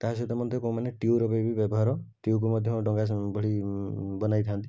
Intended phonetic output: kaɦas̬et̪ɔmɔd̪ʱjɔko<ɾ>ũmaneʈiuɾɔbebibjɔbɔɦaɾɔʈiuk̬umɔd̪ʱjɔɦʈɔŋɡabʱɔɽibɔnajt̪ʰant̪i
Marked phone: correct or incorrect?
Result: incorrect